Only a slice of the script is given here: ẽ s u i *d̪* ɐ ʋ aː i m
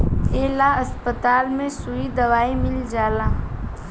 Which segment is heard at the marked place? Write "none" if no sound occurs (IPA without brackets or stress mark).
d̪